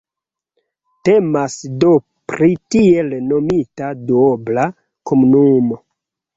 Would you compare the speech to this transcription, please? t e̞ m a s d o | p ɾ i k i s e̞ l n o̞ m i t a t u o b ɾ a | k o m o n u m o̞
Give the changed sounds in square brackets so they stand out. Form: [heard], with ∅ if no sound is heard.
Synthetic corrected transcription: t e̞ m a s d o | p ɾ i [t] i [∅] e̞ l n o̞ m i t a [d] u o b [l] a | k o m [u] n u m o̞